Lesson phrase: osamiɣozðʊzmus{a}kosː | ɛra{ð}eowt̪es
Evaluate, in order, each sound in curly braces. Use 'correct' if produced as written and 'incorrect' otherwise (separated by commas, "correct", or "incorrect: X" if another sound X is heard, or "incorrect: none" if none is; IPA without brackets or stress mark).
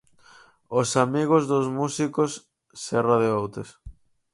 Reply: incorrect: i, correct